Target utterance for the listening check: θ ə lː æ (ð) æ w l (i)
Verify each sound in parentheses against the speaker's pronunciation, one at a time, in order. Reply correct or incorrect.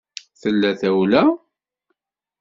incorrect: θ, incorrect: æ

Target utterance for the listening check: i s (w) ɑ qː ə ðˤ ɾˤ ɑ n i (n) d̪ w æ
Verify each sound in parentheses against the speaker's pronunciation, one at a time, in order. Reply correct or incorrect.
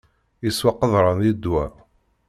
correct, incorrect: none

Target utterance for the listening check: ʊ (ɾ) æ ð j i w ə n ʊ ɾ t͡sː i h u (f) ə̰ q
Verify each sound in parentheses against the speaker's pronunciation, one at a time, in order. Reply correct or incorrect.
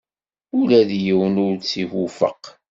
incorrect: l, correct

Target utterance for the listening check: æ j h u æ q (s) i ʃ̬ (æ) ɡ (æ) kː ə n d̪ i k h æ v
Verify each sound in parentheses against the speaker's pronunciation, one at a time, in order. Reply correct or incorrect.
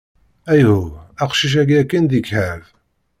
incorrect: ʃ, correct, correct

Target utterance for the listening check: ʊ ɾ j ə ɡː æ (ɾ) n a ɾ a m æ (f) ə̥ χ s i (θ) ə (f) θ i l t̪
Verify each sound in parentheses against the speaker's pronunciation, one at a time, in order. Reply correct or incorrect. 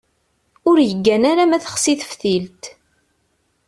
incorrect: none, incorrect: θ, correct, correct

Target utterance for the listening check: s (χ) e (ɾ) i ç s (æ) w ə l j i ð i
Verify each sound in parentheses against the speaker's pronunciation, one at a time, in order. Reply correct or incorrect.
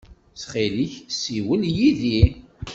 correct, incorrect: l, incorrect: i

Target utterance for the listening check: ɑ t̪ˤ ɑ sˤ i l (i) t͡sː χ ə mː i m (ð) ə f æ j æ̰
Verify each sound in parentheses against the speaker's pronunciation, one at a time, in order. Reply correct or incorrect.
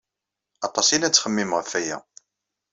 incorrect: æ, incorrect: ʁ

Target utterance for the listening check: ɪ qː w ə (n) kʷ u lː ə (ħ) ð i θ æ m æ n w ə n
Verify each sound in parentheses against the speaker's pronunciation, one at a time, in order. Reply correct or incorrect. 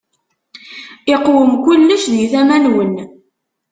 incorrect: m, incorrect: ʃ

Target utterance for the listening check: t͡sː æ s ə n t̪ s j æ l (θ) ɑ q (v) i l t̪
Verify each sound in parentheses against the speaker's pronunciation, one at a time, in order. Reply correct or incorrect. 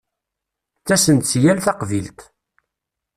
correct, correct

